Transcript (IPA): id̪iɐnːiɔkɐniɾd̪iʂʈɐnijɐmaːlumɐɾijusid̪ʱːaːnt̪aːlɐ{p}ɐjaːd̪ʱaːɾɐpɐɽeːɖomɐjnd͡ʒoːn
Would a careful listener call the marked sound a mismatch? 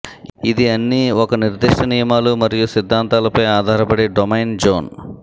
no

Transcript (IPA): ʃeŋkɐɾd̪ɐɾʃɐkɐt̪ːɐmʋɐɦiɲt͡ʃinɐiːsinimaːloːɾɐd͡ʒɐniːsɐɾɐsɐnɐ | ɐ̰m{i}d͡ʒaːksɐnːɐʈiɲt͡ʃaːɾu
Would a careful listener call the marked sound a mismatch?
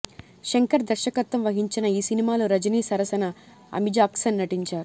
no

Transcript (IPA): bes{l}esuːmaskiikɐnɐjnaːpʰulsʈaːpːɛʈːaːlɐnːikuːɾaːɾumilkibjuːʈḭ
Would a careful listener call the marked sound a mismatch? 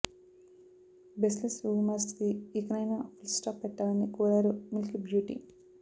no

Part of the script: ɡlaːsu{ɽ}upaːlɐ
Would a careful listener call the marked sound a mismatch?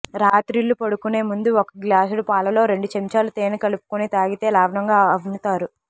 no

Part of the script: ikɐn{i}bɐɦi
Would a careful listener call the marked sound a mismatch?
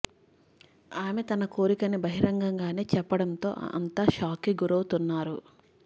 no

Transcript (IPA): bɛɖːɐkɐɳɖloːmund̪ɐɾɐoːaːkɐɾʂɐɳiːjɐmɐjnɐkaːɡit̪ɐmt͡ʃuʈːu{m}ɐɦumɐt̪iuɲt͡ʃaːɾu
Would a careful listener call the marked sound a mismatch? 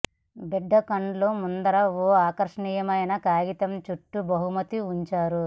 yes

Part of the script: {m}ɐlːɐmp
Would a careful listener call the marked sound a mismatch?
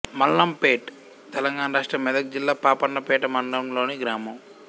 no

